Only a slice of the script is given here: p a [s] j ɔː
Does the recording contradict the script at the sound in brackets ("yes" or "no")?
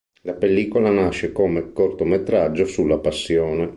yes